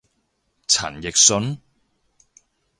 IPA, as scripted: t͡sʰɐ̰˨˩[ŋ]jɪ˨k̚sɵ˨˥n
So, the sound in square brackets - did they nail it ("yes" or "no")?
no